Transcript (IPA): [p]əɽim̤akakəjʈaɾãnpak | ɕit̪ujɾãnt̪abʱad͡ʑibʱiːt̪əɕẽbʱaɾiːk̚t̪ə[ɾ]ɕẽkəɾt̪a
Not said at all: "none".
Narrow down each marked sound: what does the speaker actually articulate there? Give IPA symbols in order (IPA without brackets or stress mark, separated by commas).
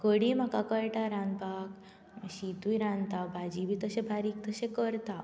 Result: k, none